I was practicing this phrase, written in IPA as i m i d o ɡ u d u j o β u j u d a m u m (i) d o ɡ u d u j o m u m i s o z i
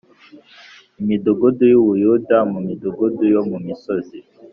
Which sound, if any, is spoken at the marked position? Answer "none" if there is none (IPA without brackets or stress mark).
i